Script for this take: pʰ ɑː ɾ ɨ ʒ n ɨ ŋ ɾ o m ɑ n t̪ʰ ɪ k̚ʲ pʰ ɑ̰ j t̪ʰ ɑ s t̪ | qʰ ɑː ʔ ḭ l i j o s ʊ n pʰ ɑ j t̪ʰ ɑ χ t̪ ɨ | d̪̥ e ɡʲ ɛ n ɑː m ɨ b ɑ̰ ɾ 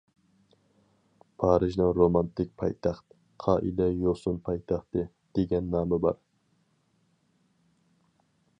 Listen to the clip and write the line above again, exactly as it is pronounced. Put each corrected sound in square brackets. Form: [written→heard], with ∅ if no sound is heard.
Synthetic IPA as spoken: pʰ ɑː ɾ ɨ ʒ n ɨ ŋ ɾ o m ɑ n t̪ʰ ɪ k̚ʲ pʰ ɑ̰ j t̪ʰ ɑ [s→χ] t̪ | qʰ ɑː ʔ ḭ l [i→ɛ] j o s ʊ n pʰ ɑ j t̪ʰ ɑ χ t̪ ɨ | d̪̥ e ɡʲ ɛ [n→nː] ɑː m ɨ b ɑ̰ ɾ

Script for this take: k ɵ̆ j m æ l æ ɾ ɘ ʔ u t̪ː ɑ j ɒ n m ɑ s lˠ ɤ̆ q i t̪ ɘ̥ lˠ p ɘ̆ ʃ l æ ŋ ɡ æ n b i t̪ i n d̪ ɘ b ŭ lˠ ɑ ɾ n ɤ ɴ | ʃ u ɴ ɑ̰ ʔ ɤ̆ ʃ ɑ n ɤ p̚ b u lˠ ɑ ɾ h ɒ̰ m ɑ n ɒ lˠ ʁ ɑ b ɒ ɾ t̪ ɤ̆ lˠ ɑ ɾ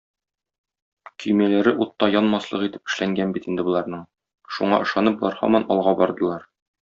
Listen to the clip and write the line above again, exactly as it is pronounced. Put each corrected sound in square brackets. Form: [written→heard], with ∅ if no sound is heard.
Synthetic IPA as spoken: k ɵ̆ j m æ l æ ɾ ɘ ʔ u t̪ː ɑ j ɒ n m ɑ s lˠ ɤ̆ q i t̪ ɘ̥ [lˠ→∅] p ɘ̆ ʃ l æ ŋ ɡ æ n b i t̪ i n d̪ ɘ b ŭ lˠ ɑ ɾ n ɤ ɴ | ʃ u ɴ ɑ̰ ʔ ɤ̆ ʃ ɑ n ɤ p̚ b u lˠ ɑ ɾ h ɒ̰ m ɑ n ɒ lˠ ʁ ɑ b ɒ ɾ [t̪→d̪] ɤ̆ lˠ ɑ ɾ

